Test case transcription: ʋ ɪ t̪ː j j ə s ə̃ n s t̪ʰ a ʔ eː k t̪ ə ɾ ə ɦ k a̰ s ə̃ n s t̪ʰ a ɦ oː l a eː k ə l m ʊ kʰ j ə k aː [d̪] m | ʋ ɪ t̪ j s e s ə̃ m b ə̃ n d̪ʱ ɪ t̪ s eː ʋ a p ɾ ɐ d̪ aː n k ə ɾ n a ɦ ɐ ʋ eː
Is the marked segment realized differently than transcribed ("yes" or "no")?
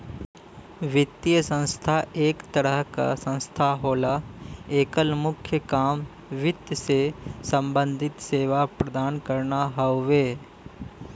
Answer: yes